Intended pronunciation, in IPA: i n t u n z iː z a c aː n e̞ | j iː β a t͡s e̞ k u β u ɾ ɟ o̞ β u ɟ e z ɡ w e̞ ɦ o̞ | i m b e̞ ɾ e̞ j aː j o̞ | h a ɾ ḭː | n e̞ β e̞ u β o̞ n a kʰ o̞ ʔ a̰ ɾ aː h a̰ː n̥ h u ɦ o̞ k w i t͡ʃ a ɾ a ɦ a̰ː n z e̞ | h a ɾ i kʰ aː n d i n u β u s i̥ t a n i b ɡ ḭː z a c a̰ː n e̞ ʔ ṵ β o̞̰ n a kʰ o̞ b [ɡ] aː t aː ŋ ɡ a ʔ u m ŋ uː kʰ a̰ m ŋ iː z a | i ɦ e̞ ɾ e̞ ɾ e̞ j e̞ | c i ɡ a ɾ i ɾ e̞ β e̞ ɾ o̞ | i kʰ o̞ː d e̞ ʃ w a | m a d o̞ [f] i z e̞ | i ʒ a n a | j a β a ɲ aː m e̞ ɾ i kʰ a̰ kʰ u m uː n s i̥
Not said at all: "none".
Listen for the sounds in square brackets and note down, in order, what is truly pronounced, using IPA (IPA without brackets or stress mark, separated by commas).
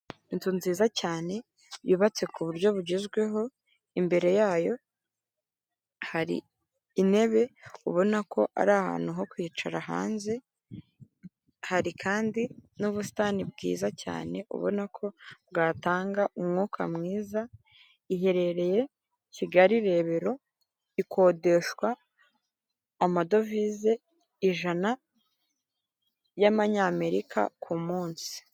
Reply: ɡ, v